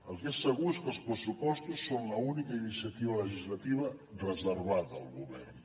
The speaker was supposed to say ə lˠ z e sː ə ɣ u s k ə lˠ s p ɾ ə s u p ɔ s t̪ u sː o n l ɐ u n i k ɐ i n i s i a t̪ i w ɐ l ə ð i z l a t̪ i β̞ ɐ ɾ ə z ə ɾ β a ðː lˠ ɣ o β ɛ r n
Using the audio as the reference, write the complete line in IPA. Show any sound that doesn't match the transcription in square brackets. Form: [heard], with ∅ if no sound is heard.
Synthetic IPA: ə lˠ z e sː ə ɣ u s k ə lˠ s p ɾ ə s u p ɔ s t̪ u sː o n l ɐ u n i k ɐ i n i s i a t̪ i [β] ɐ l ə [ʒ] i z l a t̪ i β̞ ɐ [r] ə z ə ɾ β a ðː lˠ ɣ [u] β ɛ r n